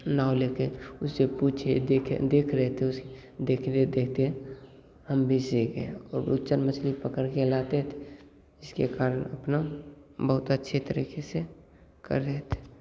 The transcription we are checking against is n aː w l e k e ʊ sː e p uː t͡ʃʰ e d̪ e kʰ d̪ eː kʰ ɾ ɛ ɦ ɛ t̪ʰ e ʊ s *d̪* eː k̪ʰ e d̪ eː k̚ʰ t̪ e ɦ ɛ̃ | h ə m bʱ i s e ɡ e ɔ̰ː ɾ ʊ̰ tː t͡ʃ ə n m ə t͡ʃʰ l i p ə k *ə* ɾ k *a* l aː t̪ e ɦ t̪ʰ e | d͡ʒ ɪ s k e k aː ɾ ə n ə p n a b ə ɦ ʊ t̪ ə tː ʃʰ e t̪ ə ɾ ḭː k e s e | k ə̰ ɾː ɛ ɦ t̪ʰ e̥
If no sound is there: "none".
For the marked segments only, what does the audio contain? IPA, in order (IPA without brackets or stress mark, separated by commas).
d̪, ə, e